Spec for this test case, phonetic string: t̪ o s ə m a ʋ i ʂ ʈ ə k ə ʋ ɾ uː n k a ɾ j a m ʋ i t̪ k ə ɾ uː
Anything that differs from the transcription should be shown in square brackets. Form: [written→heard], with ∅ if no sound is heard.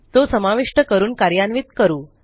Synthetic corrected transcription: t̪ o s ə m a ʋ i ʂ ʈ ə k ə [ʋ→∅] ɾ uː n k a ɾ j a [m→n] ʋ i t̪ k ə ɾ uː